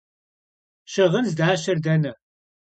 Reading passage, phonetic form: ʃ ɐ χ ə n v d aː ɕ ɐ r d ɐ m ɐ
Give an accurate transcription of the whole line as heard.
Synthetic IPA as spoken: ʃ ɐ ʁ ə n z d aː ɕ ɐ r d ɐ n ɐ